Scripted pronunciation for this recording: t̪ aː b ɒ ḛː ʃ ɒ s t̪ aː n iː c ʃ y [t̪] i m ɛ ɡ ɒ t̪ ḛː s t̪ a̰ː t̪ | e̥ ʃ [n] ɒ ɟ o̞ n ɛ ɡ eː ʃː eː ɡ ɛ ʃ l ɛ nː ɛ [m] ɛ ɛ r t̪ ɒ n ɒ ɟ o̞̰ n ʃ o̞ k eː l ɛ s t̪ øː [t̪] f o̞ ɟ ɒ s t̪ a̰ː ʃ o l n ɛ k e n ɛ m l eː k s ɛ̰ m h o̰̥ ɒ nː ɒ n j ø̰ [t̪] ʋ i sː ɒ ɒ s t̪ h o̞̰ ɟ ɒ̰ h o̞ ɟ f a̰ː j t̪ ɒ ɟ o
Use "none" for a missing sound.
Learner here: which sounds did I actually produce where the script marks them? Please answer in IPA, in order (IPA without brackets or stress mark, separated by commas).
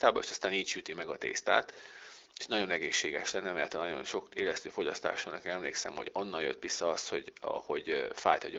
t̪, n, m, none, t̪